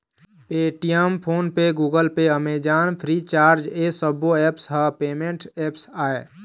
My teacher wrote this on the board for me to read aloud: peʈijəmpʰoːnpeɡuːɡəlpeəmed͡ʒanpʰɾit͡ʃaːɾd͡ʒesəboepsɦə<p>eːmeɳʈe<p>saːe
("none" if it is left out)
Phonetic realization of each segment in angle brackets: p, p

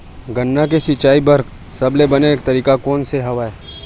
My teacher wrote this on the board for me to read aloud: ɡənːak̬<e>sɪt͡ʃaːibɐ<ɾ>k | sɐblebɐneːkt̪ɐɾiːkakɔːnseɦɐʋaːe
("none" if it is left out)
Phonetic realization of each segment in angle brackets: e, ɾ

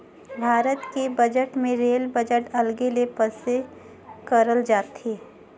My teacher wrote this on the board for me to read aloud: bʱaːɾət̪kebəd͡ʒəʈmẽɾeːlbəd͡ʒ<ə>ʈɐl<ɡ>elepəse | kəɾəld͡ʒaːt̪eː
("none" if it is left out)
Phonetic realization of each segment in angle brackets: ə, ɡ

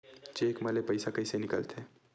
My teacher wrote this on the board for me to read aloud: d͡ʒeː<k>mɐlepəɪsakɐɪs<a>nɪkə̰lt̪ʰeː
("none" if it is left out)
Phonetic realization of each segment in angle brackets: k, e

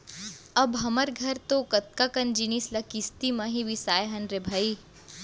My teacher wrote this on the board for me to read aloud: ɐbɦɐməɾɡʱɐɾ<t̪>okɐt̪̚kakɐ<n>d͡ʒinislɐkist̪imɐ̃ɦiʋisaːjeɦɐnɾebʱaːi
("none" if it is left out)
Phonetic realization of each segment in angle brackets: t̪, n

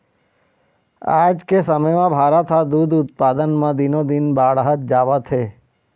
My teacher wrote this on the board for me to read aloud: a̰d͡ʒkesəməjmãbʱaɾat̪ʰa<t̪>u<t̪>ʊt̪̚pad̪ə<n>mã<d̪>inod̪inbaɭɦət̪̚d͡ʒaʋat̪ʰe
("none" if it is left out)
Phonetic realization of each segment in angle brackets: d̪, d̪, n, d̪

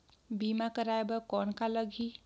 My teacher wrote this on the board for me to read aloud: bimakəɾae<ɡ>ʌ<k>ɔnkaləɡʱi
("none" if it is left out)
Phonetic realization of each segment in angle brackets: b, k

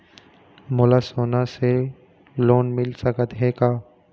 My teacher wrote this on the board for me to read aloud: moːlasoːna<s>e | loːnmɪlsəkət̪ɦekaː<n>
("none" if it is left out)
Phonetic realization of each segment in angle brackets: s, none

